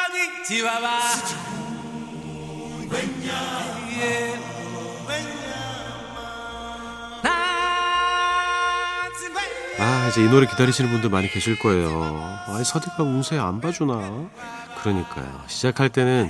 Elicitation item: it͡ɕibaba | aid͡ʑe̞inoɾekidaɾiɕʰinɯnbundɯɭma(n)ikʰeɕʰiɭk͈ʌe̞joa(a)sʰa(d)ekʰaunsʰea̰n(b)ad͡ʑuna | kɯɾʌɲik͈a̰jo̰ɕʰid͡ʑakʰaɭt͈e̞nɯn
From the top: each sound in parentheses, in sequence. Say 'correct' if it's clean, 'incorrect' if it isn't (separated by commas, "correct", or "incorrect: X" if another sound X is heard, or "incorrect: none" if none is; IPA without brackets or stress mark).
incorrect: ɲ, incorrect: i, correct, correct